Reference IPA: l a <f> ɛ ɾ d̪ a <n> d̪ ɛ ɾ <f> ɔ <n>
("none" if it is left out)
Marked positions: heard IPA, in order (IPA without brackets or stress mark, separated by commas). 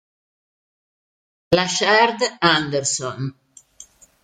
ʃ, n, s, n